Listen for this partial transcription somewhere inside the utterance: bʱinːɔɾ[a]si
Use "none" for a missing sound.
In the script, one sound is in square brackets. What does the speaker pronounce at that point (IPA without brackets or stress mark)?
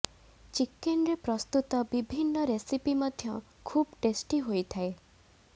e